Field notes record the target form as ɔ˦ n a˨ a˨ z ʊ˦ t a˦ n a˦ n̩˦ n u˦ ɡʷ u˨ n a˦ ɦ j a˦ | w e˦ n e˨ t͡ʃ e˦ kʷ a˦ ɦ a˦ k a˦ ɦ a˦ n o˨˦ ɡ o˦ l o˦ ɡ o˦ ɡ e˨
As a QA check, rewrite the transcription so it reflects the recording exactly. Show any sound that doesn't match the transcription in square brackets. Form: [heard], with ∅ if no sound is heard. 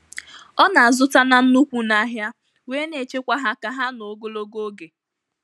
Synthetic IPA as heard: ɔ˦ n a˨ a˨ z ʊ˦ t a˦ n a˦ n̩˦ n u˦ [kʷ] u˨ n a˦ ɦ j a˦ | w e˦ n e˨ t͡ʃ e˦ kʷ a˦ ɦ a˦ k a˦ ɦ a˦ n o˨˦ ɡ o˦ l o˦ ɡ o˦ ɡ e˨